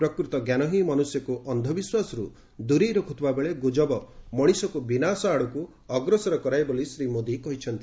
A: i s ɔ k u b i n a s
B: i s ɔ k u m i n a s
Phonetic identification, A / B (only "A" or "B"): A